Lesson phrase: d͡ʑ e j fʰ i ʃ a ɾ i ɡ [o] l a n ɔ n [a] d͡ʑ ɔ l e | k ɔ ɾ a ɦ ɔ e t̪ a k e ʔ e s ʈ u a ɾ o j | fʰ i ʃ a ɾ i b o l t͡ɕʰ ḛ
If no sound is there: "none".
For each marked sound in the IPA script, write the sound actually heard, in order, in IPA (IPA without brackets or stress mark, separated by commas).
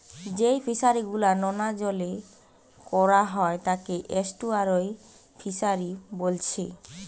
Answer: u, a